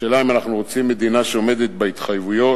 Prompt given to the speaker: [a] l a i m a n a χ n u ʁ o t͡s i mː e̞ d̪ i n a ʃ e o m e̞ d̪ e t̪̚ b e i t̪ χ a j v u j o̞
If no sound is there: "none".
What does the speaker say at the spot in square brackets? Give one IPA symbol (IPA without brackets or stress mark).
e